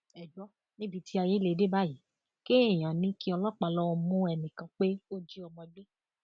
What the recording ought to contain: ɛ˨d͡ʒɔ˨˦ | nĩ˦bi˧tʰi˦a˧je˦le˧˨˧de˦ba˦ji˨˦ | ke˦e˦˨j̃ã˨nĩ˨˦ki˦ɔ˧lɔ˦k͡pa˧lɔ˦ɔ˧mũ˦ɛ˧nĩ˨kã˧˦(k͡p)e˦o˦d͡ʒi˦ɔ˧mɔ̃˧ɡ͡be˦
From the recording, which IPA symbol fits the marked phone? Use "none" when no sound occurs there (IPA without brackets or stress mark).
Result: k͡p